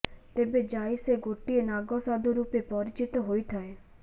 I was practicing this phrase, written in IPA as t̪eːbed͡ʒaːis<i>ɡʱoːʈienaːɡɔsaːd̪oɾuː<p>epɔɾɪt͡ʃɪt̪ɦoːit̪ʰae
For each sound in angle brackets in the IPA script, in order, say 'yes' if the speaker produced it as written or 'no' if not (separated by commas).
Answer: no, yes